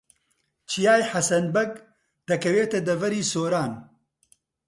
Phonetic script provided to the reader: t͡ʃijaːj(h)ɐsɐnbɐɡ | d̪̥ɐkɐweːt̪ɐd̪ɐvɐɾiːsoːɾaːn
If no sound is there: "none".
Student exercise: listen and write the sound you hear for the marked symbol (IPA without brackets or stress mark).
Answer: ħ